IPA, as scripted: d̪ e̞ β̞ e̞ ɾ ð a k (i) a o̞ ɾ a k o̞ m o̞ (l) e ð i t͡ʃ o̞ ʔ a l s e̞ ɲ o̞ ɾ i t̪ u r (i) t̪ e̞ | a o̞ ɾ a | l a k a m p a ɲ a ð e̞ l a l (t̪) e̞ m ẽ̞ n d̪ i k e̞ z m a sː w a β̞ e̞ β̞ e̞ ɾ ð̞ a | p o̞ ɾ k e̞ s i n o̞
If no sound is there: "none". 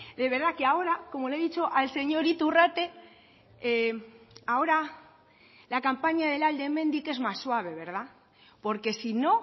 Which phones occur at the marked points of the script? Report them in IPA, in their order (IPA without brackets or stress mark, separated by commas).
e, l, a, d̪